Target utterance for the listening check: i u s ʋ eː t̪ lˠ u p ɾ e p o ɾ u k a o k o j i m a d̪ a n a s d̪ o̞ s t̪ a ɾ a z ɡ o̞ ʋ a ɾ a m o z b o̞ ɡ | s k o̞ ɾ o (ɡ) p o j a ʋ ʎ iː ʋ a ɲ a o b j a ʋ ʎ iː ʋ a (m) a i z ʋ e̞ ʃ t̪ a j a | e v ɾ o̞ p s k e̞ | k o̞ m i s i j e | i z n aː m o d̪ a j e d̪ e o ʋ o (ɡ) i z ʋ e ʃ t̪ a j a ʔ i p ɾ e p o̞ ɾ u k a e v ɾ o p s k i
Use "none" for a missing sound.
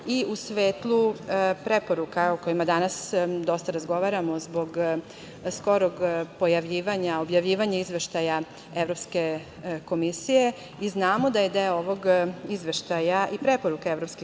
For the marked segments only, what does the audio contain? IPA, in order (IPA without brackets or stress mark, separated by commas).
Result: ɡ, ɲ, ɡ